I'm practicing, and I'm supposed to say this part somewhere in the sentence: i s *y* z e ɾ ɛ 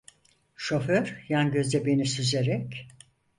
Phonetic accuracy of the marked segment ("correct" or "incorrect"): correct